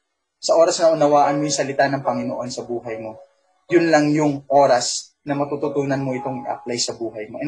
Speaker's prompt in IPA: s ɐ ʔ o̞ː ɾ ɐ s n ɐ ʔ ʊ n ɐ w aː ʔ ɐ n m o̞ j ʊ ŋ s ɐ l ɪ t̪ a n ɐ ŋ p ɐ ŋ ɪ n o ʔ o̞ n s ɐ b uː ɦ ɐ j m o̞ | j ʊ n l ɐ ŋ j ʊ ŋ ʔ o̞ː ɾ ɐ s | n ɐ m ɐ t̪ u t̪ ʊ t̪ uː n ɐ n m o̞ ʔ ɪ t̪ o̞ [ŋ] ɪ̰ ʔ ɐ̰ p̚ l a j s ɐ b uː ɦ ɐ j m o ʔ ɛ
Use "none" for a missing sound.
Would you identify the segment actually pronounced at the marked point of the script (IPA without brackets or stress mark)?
ŋ